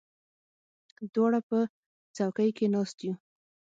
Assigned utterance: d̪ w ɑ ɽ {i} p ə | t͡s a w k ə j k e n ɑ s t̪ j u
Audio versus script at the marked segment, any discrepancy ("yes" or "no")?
yes